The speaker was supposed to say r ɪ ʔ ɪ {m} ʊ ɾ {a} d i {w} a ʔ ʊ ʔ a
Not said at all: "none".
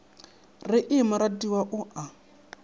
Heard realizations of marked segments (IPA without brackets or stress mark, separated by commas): m, a, w